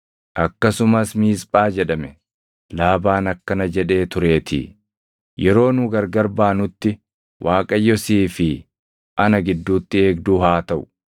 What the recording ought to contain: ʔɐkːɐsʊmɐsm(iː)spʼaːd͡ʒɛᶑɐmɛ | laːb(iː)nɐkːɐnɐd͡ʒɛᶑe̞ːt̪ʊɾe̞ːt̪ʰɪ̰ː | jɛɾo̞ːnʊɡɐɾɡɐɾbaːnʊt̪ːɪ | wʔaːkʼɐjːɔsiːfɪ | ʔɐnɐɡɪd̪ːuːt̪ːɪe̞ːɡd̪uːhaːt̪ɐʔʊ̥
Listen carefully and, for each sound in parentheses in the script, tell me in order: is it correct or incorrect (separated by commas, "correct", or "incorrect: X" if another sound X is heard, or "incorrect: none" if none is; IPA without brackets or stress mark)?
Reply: correct, incorrect: aː